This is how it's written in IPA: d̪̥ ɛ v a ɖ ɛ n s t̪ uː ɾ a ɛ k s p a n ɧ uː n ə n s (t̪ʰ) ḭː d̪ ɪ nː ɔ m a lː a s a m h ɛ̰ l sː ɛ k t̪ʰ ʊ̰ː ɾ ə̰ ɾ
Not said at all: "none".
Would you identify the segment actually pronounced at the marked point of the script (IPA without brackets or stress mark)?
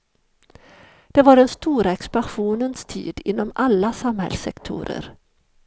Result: t̪ʰ